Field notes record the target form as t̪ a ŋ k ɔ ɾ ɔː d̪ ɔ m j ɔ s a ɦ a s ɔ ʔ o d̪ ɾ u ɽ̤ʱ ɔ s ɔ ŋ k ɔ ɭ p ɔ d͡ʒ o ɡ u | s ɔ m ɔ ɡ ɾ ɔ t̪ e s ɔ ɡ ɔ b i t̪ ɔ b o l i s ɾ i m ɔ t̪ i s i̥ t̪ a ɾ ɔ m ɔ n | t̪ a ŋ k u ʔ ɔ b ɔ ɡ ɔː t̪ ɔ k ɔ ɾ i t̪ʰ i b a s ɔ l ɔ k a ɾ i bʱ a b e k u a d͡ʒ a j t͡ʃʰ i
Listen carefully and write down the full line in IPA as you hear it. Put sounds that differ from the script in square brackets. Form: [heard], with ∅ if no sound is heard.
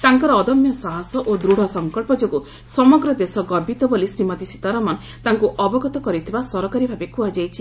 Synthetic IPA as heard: t̪ a ŋ k ɔ ɾ ɔː d̪ ɔ m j ɔ s a ɦ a s ɔ ʔ o d̪ ɾ u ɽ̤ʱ ɔ s ɔ ŋ k ɔ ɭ p ɔ d͡ʒ o ɡ u | s ɔ m ɔ ɡ ɾ ɔ [d̪] e s ɔ ɡ ɔ b i t̪ ɔ b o l i s ɾ i m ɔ t̪ i s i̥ t̪ a ɾ ɔ m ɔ n | t̪ a ŋ k u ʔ ɔ b ɔ ɡ [ɔ] t̪ ɔ k ɔ ɾ i t̪ʰ i b a s ɔ [ɾ] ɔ k a ɾ i bʱ a b e k u a d͡ʒ a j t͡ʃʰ i

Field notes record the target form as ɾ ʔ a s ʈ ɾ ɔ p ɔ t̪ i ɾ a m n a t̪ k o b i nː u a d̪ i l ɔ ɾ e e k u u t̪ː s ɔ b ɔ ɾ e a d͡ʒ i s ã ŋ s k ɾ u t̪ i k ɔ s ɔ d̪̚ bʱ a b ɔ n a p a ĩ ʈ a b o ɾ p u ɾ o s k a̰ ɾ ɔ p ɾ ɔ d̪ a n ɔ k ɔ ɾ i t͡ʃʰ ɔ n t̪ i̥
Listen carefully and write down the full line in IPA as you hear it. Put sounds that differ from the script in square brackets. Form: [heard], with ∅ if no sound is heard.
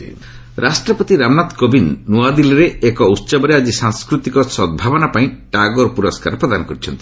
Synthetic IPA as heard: ɾ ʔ a s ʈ ɾ ɔ p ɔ t̪ i ɾ a m n a t̪ k o b i nː u a d̪ i l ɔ ɾ e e k [ɔ] u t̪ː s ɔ b ɔ ɾ e a d͡ʒ i s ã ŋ s k ɾ u t̪ i k ɔ s ɔ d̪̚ bʱ a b ɔ n a p a ĩ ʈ a [ɡ] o ɾ p u ɾ [ɔ] s k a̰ ɾ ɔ p ɾ ɔ d̪ a n ɔ k ɔ ɾ i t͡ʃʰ ɔ n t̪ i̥

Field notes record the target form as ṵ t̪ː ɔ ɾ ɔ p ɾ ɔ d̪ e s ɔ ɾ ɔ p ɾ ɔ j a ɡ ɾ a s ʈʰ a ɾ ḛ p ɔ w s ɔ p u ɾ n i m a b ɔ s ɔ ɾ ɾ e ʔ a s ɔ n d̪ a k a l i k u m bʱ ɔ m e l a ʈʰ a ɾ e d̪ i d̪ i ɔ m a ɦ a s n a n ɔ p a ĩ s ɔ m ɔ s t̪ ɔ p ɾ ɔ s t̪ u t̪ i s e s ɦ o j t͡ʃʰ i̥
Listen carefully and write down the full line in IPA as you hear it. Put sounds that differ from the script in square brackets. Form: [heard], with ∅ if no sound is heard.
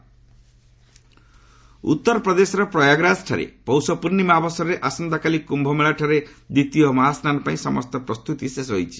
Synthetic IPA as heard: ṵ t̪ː ɔ ɾ ɔ p ɾ ɔ d̪ e s ɔ ɾ ɔ p ɾ ɔ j a ɡ ɾ a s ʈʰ a ɾ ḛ p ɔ w s ɔ p u ɾ n i m a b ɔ s ɔ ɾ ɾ e ʔ a s ɔ n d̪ a k a l i k u m bʱ ɔ m e [ɭ] a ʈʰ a ɾ e d̪ i [t̪] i ɔ m a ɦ a s n a n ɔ p a ĩ s ɔ m ɔ s t̪ ɔ p ɾ ɔ s t̪ u t̪ i s e s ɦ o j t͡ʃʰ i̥

